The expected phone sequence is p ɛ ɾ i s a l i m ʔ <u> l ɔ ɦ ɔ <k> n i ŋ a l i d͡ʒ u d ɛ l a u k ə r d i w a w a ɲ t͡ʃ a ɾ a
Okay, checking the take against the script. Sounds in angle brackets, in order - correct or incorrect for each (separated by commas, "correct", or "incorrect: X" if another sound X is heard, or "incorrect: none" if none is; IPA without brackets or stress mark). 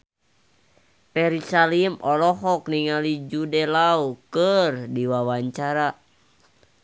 incorrect: ɔ, correct